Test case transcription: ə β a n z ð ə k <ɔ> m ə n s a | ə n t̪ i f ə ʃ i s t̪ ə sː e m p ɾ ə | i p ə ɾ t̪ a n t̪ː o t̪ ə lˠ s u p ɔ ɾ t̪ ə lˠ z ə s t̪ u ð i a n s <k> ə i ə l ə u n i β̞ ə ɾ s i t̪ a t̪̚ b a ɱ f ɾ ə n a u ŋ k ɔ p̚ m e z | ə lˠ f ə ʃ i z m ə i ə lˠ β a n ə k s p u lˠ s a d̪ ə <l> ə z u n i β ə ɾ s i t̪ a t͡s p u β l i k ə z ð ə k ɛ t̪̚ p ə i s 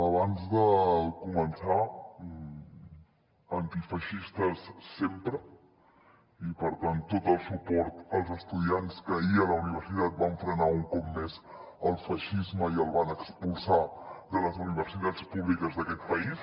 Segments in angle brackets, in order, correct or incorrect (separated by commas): incorrect, correct, correct